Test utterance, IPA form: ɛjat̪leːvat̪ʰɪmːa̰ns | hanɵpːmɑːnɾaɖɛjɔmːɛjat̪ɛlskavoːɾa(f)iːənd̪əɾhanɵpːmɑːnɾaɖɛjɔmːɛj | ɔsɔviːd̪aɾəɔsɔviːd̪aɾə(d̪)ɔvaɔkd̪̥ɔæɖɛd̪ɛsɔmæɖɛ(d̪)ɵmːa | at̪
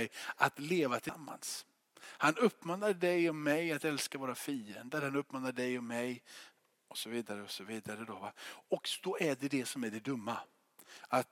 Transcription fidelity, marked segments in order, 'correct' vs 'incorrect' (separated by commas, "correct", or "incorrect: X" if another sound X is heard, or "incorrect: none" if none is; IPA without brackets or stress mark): correct, correct, correct